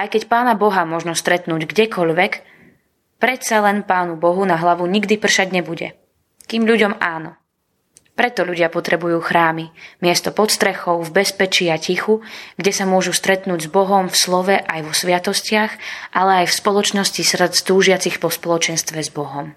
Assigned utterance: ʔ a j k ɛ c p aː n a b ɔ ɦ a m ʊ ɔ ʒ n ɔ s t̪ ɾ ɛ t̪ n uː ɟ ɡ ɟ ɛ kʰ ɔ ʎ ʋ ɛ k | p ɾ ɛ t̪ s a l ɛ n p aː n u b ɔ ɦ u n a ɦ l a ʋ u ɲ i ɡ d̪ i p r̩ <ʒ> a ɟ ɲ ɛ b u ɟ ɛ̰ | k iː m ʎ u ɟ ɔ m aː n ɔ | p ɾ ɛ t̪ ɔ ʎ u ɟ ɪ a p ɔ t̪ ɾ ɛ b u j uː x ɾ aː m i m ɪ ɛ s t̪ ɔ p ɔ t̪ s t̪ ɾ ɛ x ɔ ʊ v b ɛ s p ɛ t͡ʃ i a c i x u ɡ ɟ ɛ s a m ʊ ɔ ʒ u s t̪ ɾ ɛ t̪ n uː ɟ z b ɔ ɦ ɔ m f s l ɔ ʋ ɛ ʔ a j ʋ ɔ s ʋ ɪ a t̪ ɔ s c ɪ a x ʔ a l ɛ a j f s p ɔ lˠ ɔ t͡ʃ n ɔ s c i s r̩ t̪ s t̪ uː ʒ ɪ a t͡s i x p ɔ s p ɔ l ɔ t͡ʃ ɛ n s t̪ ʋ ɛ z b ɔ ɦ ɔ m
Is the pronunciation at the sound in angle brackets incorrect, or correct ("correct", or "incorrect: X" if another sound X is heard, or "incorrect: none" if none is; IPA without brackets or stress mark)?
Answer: incorrect: ʃ